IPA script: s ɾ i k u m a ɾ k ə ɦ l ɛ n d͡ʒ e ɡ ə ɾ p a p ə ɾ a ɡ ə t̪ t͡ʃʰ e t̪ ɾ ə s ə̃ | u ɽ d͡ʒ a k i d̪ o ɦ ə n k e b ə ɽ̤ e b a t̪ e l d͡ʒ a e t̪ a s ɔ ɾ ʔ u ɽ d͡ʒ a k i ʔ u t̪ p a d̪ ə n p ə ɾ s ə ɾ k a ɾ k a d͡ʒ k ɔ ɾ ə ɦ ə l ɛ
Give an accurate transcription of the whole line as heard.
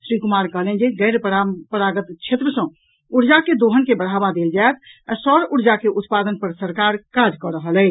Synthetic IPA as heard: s ɾ i k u m a ɾ k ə ɦ l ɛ n d͡ʒ e ɡ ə ɾ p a p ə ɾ a ɡ ə t̪ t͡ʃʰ e t̪ ɾ ə s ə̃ | u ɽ d͡ʒ a k e d̪ o ɦ ə n k e b ə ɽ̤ a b a d̪ e l d͡ʒ a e t̪ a s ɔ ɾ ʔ u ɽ d͡ʒ a k e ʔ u t̪ p a d̪ ə n p ə ɾ s ə ɾ k a ɾ k a d͡ʒ k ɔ ɾ ə ɦ ə l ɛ

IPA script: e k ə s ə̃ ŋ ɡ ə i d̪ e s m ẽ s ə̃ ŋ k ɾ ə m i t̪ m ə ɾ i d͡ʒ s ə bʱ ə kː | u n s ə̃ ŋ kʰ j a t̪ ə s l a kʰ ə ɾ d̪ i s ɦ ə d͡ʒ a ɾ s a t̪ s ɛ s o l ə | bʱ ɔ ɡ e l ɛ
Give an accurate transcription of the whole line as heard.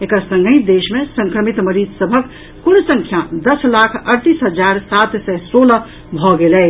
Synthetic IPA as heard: e k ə s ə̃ ŋ ɡ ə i d̪ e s m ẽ s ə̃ ŋ k ɾ ə m i t̪ m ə ɾ i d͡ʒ s ə bʱ ə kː | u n s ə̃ ŋ kʰ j a d̪ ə s l a kʰ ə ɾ t̪ i s ɦ ə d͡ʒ a ɾ s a t̪ s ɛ s o l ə | bʱ ɔ ɡ e l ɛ

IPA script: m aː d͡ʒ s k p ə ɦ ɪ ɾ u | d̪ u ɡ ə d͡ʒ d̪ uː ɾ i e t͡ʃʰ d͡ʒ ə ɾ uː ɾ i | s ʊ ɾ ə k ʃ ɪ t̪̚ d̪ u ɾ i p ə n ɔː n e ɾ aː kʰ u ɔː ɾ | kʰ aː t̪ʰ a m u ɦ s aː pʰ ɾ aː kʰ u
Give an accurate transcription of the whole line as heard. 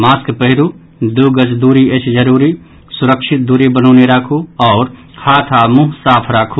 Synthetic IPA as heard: m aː s k p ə ɦ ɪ ɾ u | d̪ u ɡ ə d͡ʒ d̪ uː ɾ i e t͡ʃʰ d͡ʒ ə ɾ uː ɾ i | s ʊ ɾ ə k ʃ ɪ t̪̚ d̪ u ɾ i b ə n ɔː n e ɾ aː kʰ u ɔː ɾ | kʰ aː t̪ʰ a m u ɦ s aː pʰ ɾ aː kʰ u

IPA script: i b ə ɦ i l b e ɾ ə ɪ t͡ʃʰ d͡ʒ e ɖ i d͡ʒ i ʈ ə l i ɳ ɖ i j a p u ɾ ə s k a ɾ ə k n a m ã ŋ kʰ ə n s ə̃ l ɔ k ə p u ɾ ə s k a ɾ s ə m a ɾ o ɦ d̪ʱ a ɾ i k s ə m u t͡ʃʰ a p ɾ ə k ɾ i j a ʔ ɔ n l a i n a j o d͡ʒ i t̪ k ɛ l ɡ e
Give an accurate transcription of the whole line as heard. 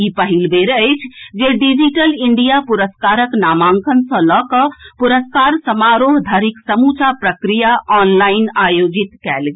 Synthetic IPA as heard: i p ə ɦ i l b e ɾ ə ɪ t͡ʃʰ d͡ʒ e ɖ i d͡ʒ i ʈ ə l i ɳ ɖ i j a p u ɾ ə s k a ɾ ə k n a m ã ŋ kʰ ə n s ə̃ l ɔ k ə p u ɾ ə s k a ɾ s ə m a ɾ o ɦ d̪ʱ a ɾ i k s ə m u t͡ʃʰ a p ɾ ə k ɾ i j a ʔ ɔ n l a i n a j o d͡ʒ i t̪ k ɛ l ɡ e

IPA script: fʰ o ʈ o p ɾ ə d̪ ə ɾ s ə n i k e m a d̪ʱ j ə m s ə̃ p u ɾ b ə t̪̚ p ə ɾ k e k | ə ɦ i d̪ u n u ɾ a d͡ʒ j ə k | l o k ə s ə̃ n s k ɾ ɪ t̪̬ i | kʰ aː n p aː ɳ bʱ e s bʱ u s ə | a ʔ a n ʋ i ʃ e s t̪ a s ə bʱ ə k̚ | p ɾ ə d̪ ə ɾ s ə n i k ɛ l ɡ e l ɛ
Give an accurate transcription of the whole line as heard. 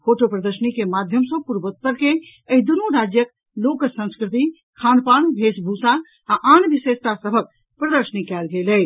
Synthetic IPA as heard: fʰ o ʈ o p ɾ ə d̪ ə ɾ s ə n i k e m a d̪ʱ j ə m s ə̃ p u ɾ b ə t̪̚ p ə ɾ k e | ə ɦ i d̪ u n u ɾ a d͡ʒ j ə k | l o k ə s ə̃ n s k ɾ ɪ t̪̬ i | kʰ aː n p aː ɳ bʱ e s bʱ u s a | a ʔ a n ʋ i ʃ e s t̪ a s ə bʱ ə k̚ | p ɾ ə d̪ ə ɾ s ə n i k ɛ l ɡ e l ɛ

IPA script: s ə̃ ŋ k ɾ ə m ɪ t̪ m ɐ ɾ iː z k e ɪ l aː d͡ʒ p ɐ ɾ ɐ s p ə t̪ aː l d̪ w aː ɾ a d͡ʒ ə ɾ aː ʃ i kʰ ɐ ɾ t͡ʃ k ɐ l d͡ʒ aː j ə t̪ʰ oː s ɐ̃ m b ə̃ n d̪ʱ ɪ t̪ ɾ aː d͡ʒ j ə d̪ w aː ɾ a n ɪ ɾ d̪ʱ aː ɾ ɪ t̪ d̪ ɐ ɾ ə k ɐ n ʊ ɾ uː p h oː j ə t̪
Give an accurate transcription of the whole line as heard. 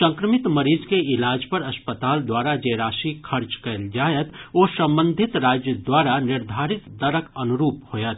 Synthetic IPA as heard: s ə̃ ŋ k ɾ ə m ɪ t̪ m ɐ ɾ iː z k e ɪ l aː d͡ʒ p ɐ ɾ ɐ s p ə t̪ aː l d̪ w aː ɾ a d͡ʒ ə ɾ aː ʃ i kʰ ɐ ɾ t͡ʃ k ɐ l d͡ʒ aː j ə t̪ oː s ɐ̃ m b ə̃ n d̪ʱ ɪ t̪ ɾ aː d͡ʒ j ə d̪ w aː ɾ a n ɪ ɾ d̪ʱ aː ɾ ɪ t̪ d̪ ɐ ɾ ə k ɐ n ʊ ɾ uː p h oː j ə t̪

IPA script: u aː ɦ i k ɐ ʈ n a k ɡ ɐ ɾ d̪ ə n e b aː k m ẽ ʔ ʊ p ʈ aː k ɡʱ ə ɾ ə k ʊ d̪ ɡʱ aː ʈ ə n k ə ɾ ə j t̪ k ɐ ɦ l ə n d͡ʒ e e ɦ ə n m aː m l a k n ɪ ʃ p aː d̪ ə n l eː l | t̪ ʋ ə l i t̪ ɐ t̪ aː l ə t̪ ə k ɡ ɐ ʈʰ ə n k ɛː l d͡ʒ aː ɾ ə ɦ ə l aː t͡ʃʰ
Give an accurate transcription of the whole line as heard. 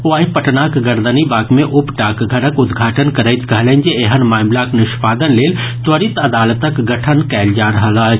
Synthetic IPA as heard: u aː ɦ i p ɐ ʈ n a k ɡ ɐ ɾ d̪ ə n i b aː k m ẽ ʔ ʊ p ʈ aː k ɡʱ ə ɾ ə k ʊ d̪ ɡʱ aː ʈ ə n k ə ɾ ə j t̪ k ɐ ɦ l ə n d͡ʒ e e ɦ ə n m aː m l a k n ɪ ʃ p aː d̪ ə n l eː l | t̪ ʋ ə ɾ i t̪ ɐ d̪ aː l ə t̪ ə k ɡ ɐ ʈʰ ə n k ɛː l d͡ʒ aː ɾ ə ɦ ə l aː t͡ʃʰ

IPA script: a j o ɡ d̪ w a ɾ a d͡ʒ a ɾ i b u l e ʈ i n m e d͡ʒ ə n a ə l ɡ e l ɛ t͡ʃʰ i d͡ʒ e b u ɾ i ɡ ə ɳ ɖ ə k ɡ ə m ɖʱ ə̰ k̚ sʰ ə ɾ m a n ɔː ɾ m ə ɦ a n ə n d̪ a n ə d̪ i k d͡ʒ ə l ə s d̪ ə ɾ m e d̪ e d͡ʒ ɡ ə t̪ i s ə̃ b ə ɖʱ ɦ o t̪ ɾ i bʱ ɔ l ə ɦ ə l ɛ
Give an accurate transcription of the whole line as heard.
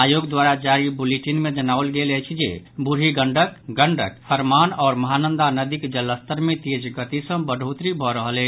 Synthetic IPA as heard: a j o ɡ d̪ w a ɾ a d͡ʒ a ɾ i b u l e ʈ i n m e d͡ʒ ə n a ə l ɡ e l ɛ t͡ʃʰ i d͡ʒ e b u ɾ i ɡ ə ɳ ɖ ə k ɡ ə ɳ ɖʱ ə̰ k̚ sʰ ə ɾ m a n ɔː ɾ m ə ɦ a n ə n d̪ a n ə d̪ i k d͡ʒ ə l ə s t̪ ə ɾ m e t̪ e d͡ʒ ɡ ə t̪ i s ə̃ b ə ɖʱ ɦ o t̪ ɾ i bʱ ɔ ɾ ə ɦ ə l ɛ

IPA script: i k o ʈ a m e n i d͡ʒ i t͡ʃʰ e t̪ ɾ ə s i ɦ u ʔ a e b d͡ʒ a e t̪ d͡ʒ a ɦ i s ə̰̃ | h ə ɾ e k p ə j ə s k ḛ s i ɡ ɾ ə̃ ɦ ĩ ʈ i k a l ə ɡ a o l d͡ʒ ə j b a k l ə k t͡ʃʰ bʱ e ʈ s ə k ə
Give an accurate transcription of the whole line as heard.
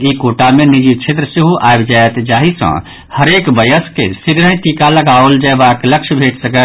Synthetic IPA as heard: i k o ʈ a m e n i d͡ʒ i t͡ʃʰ e t̪ ɾ ə s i ɦ u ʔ a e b d͡ʒ a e t̪ d͡ʒ a ɦ i s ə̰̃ | h ə ɾ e k b ə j ə s k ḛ s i ɡ ɾ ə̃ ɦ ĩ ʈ i k a l ə ɡ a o l d͡ʒ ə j b a k l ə k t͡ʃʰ bʱ e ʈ s ə k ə

